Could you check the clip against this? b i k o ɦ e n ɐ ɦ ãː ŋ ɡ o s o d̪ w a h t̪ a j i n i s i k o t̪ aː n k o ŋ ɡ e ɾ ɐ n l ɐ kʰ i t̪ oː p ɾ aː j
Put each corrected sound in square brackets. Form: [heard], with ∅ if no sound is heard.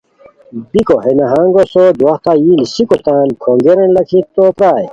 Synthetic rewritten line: b i k o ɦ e n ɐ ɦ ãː ŋ ɡ o s o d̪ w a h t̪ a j i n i s i k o t̪ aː n [kʰ] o ŋ ɡ e ɾ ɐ n l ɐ kʰ i t̪ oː p ɾ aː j

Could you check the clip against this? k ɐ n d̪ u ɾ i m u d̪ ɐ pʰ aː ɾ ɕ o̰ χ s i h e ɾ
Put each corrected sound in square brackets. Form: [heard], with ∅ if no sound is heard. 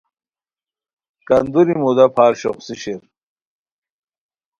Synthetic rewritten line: k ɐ n d̪ u ɾ i m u d̪ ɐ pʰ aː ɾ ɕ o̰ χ s i [ɕ] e ɾ

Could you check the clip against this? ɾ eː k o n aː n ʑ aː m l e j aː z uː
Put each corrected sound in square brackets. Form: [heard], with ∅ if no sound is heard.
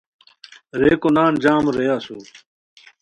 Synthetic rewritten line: ɾ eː k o n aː n [d͡ʑ] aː m [ɾ] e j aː [s] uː

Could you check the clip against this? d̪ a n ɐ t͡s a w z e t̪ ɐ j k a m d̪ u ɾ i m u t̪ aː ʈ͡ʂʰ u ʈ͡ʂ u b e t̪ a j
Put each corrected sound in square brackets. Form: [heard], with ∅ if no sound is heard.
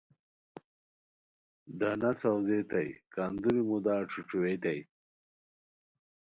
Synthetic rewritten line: d̪ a n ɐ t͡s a w z e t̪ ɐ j k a [n] d̪ u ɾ i m u [d̪] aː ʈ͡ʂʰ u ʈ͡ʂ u [w] e t̪ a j

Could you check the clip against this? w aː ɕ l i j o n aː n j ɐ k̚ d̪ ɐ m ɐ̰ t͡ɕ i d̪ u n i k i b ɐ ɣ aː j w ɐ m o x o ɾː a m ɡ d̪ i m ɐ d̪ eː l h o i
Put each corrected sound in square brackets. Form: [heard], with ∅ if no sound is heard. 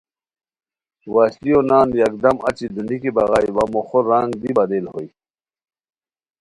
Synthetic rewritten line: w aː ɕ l i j o n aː n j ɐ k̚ d̪ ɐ m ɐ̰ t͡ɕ i d̪ u n i k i b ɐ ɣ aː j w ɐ m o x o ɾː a [ŋ] ɡ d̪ i [b] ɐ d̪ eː l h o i

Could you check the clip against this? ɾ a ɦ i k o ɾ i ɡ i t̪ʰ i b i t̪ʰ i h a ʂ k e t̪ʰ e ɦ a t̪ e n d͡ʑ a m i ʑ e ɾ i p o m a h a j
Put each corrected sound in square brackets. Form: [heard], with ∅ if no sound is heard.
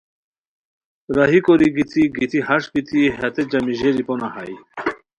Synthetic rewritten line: ɾ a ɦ i k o ɾ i ɡ i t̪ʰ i [ɡ] i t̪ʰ i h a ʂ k [i] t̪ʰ [i] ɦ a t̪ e [∅] d͡ʑ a m i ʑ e ɾ i p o [n] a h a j

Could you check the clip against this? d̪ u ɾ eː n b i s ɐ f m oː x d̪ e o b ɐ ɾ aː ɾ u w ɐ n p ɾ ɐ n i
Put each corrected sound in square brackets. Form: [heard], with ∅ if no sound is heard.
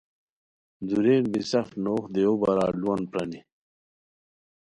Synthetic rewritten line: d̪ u ɾ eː n b i s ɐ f [n] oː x d̪ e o b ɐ ɾ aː [l] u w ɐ n p ɾ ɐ n i

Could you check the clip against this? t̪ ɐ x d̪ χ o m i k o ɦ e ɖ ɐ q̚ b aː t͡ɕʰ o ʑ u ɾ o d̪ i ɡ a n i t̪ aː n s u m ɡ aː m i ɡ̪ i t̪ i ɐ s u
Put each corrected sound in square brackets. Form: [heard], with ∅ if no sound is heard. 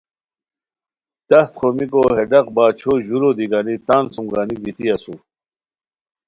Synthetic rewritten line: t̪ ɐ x [t̪] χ o m i k o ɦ e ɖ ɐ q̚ b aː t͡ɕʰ o ʑ u ɾ o d̪ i ɡ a n i t̪ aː n s u m ɡ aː [n] i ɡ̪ i t̪ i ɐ s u

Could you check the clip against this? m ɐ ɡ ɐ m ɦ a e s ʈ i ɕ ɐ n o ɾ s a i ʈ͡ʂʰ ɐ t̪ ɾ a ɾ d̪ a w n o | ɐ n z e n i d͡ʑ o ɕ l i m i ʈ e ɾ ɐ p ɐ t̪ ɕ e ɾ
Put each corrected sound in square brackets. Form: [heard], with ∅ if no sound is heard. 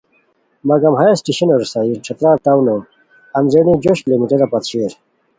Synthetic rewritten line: m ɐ ɡ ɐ m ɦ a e s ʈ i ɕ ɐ n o ɾ s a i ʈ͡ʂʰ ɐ t̪ ɾ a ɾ [t̪] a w n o | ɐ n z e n i d͡ʑ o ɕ l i m i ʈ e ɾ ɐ p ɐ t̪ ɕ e ɾ

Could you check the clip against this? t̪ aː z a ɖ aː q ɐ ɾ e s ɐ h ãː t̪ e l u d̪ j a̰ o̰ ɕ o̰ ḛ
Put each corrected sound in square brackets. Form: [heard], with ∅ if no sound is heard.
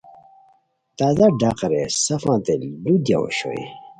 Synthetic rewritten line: t̪ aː z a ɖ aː q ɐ ɾ e s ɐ [f] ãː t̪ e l u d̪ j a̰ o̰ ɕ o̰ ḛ

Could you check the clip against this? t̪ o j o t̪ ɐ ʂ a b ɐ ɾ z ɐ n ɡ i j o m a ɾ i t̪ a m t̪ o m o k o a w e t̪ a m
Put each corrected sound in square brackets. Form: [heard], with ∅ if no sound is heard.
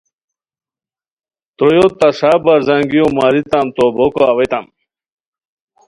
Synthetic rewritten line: t̪ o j o t̪ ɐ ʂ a b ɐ ɾ z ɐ [ŋ] ɡ i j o m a ɾ i t̪ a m t̪ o [b] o k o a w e t̪ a m

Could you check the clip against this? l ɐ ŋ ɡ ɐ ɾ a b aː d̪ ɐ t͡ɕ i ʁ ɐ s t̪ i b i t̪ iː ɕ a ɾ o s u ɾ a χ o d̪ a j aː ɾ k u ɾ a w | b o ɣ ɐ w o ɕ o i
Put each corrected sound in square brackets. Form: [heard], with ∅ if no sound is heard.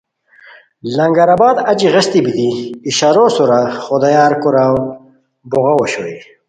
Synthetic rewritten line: l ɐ ŋ ɡ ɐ ɾ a b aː d̪ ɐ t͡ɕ i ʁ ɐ s t̪ i b i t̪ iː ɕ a ɾ o s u ɾ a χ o d̪ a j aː ɾ k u ɾ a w | b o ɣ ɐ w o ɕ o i

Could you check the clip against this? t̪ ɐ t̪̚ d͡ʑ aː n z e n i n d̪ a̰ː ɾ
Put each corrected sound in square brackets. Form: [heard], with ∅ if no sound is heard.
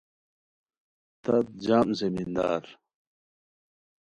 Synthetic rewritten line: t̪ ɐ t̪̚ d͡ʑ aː [m] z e [m] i n d̪ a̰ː ɾ

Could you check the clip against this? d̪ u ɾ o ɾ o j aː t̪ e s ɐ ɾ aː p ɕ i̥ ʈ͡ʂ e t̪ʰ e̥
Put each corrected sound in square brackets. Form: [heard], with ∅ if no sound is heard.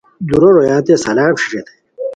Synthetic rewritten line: d̪ u ɾ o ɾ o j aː t̪ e s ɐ [l] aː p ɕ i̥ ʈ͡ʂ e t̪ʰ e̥

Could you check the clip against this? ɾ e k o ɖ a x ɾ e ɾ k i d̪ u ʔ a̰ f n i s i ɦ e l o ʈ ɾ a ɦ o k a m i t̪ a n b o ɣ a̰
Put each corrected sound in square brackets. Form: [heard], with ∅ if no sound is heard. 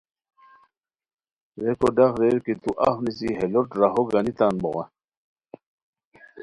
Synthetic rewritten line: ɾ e k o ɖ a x ɾ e ɾ k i [t̪] u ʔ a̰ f n i s i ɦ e l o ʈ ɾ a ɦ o [ɡ] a [n] i t̪ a n b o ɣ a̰

